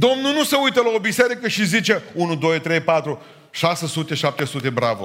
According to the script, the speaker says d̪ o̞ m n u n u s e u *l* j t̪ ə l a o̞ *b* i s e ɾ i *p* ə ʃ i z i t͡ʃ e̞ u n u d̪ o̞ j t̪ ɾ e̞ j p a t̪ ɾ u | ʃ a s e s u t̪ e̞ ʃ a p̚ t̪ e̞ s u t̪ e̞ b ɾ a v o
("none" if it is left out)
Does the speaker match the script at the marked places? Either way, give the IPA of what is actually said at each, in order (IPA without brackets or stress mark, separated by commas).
none, b, k